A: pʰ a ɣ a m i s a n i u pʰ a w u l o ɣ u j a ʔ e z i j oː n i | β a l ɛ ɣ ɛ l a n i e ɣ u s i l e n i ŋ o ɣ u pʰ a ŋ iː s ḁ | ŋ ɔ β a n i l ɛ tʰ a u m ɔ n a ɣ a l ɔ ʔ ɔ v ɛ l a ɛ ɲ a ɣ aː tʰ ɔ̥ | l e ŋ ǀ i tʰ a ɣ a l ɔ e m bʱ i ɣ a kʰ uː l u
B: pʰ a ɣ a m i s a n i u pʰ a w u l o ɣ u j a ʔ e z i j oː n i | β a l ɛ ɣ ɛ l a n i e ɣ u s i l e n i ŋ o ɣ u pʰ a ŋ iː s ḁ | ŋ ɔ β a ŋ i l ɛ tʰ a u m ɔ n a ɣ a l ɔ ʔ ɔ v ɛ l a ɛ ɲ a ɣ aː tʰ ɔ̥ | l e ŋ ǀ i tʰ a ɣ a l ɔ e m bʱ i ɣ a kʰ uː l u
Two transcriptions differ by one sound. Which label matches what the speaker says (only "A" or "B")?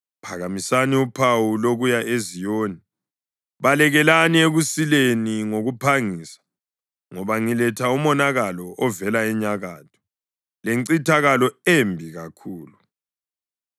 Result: B